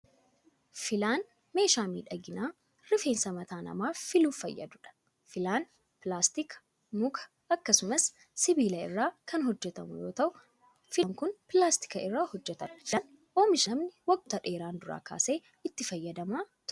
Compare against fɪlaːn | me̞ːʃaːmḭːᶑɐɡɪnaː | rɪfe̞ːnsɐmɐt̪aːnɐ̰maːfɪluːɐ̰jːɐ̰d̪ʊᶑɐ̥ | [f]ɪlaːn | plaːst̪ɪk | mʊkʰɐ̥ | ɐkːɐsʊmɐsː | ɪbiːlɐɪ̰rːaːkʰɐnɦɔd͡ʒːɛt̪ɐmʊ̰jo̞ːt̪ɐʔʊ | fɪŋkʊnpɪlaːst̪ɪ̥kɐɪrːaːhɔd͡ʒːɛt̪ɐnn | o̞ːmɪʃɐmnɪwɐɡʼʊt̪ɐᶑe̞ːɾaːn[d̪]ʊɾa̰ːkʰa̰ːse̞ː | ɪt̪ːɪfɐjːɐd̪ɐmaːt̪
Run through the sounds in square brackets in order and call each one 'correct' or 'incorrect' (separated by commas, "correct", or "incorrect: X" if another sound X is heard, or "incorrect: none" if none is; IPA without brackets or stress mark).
correct, correct